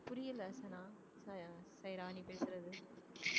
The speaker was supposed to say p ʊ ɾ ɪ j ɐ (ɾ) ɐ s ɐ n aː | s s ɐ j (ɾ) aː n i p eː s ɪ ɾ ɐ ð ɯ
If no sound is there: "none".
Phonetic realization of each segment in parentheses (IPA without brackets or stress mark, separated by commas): l, ɾ